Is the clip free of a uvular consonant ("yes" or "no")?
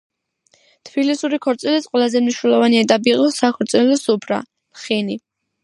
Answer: no